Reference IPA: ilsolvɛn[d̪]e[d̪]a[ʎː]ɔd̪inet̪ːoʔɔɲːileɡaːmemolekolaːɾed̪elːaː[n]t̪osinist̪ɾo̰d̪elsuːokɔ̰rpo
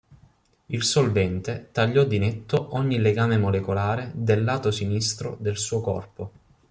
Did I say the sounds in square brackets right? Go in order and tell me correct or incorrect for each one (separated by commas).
incorrect, incorrect, correct, incorrect